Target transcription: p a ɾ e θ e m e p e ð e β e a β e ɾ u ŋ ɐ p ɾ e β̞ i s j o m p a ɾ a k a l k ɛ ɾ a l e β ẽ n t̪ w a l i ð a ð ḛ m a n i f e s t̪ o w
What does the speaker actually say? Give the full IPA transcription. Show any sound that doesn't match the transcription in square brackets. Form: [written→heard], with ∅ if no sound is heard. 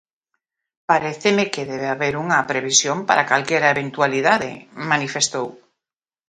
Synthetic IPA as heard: p a ɾ e θ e m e [p→k] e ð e β e a β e ɾ u ŋ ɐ p ɾ e β̞ i s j o m p a ɾ a k a l k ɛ ɾ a [l→∅] e β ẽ n t̪ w a l i ð a ð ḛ m a n i f e s t̪ o w